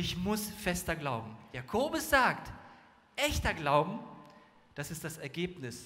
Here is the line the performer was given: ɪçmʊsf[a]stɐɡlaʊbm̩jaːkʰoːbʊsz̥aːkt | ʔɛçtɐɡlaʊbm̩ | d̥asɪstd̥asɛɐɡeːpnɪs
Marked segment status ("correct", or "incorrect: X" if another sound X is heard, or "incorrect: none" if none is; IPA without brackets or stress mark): incorrect: ɛ